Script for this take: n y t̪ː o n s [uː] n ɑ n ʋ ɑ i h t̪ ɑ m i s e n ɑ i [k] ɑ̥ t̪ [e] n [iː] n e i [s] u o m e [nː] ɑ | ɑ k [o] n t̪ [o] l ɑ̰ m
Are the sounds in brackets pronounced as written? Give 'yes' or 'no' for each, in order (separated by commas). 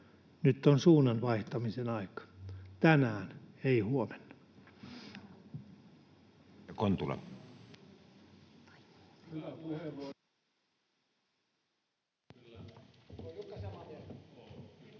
yes, yes, no, no, no, yes, yes, no